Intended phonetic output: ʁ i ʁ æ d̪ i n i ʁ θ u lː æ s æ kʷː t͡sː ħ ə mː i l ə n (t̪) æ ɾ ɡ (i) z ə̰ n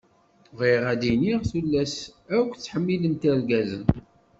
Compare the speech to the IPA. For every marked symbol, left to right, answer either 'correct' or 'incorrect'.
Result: correct, incorrect

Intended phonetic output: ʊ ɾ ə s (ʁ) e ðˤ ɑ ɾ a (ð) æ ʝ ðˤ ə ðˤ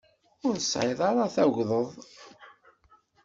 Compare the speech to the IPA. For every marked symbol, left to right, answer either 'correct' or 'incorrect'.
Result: incorrect, incorrect

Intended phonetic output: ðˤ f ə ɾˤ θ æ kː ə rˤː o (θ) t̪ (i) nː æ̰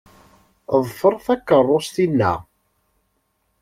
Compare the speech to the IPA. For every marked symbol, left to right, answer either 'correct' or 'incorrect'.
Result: incorrect, correct

